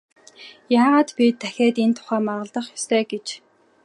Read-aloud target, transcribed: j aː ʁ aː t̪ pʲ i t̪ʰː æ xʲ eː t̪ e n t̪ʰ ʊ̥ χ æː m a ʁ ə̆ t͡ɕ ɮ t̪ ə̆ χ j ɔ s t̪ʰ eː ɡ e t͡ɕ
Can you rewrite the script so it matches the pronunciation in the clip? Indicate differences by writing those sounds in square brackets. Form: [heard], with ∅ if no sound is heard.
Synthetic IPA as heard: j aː ʁ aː t̪ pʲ i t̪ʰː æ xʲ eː t̪ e n t̪ʰ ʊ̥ χ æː m a ʁ ə̆ [∅] ɮ t̪ ə̆ χ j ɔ s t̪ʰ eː ɡ e t͡ɕ

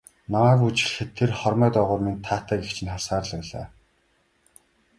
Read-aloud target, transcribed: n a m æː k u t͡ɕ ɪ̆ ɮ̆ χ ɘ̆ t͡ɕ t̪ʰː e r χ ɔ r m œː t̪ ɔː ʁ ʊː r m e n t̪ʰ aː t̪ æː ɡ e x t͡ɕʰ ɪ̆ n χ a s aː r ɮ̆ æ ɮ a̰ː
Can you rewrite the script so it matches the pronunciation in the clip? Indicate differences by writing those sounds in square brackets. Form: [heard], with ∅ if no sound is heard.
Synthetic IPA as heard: n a m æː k u t͡ɕ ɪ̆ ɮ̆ [x] ɘ̆ [∅] t̪ʰː e r χ ɔ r m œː t̪ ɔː ʁ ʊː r m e n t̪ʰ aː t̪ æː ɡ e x t͡ɕʰ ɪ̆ n χ a s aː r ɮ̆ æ ɮ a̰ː

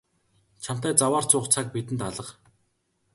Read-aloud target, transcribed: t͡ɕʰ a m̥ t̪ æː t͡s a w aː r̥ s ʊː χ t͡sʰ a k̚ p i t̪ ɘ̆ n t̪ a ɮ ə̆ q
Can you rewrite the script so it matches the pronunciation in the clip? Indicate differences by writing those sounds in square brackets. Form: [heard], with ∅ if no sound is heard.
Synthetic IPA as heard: t͡ɕʰ a m̥ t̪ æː t͡s a w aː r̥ [t͡s] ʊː χ t͡sʰ a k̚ p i t̪ ɘ̆ n t̪ a ɮ ə̆ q

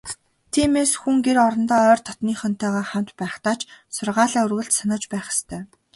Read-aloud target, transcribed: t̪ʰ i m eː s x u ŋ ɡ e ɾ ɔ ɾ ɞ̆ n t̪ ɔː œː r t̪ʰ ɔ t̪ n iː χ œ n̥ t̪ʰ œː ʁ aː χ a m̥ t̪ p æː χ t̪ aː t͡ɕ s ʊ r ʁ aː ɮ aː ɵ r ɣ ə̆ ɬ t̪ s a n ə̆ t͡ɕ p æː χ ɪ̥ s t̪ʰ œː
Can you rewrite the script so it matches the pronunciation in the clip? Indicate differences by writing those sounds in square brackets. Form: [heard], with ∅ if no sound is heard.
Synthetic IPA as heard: t̪ʰ [iː] m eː s x u ŋ ɡ e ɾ ɔ ɾ ɞ̆ n t̪ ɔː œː r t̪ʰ ɔ t̪ n iː χ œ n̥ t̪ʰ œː ʁ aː χ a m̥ t̪ p æː χ t̪ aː t͡ɕ s ʊ r ʁ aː ɮ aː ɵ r ɣ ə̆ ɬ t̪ s a n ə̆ t͡ɕ p æː χ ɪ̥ s t̪ʰ œː

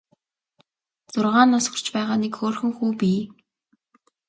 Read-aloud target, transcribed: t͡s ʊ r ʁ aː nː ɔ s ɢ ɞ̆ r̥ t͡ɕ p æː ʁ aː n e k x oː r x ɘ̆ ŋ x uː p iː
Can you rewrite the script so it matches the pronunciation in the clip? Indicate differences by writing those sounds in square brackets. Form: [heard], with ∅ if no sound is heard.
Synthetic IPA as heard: t͡s ʊ r ʁ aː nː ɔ s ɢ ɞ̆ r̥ t͡ɕ p æː ʁ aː n e k x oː r x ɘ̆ ŋ x uː p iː

